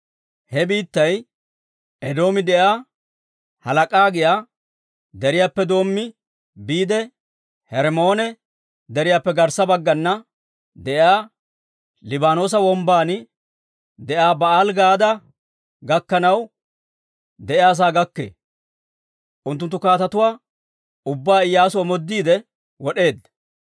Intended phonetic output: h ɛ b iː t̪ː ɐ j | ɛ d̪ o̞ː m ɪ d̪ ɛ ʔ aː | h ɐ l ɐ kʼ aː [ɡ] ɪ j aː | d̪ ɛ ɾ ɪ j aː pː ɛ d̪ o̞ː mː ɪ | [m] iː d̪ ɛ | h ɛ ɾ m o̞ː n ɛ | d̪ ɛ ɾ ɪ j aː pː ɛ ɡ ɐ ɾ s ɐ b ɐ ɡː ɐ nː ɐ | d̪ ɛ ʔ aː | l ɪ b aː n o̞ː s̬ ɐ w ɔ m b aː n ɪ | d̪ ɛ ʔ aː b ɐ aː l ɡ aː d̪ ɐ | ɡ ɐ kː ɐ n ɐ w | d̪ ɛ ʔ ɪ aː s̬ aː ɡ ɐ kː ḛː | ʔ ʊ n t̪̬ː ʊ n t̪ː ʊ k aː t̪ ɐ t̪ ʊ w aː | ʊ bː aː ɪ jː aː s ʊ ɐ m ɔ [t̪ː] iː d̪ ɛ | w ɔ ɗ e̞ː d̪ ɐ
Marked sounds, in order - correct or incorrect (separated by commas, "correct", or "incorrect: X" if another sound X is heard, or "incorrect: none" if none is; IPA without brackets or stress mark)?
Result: correct, incorrect: b, incorrect: d̪ː